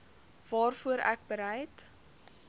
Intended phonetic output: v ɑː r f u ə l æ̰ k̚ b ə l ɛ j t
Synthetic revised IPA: v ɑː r f u ə ɾ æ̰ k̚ b ə ɾ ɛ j t

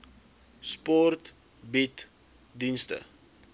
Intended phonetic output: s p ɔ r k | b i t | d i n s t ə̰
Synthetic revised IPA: s p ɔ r t | b i t | d i n s t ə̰

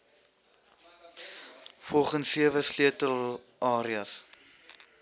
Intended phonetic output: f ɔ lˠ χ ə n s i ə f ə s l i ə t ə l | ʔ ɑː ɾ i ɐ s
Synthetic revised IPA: f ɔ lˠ χ ə n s i ə v ə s l i ə t ə l | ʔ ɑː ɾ i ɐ s

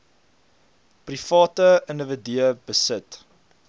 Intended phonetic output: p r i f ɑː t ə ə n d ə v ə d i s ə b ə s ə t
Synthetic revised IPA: p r i f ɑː t ə ə n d ə v ə d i ə b ə s ə t

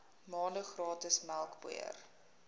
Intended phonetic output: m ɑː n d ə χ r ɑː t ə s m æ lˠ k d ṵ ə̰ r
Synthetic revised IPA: m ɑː n d ə χ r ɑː t ə s m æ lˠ k b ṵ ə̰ r

